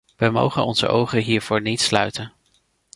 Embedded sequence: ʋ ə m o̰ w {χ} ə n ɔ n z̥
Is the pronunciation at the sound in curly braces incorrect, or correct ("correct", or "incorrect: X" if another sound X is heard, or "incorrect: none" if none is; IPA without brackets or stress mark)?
correct